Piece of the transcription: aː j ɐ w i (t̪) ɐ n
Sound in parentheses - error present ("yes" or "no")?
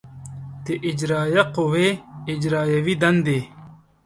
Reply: yes